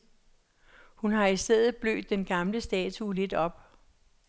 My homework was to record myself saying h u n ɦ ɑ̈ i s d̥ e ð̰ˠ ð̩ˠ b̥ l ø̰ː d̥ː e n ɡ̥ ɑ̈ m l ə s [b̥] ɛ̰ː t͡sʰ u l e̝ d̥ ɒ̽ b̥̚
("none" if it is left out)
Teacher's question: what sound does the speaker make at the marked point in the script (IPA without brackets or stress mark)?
d̥